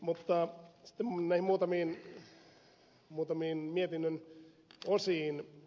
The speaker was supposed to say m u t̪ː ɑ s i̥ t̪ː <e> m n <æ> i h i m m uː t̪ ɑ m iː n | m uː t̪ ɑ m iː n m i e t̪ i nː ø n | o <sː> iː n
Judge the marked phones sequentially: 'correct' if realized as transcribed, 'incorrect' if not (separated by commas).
correct, correct, incorrect